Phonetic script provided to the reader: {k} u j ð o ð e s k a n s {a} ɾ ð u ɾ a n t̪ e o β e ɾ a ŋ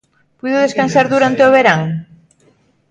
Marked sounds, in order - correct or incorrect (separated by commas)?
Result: incorrect, correct